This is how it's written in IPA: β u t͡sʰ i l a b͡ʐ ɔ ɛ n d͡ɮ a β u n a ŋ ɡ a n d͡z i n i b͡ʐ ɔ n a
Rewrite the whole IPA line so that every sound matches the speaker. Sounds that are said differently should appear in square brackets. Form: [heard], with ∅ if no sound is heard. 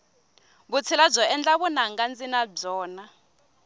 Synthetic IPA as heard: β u t͡sʰ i l a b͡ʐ ɔ ɛ n d͡ɮ a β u n a ŋ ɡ a n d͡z i n [a] b͡ʐ [ɔː] n a